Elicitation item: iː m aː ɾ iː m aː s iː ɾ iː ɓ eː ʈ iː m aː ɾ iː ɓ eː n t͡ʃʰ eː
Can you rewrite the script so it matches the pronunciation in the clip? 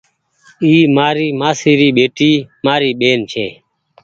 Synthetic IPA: iː m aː ɾ iː m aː s iː ɾ iː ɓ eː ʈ iː m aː ɾ iː ɓ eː n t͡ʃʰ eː